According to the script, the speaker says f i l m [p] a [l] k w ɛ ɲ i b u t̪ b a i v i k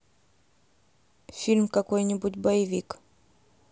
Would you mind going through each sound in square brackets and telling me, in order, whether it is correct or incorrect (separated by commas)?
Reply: incorrect, incorrect